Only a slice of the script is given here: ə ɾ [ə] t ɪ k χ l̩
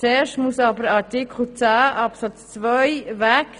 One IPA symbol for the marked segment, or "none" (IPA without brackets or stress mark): ɑ